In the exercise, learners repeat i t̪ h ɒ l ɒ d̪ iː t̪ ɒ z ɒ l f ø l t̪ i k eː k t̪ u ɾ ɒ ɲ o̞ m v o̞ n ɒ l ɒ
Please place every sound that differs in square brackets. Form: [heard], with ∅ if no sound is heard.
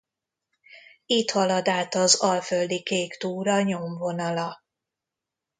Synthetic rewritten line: i t̪ h ɒ l ɒ d̪ [aː] t̪ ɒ z ɒ l f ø l [d̪] i k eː k t̪ [uː] ɾ ɒ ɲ o̞ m v o̞ n ɒ l ɒ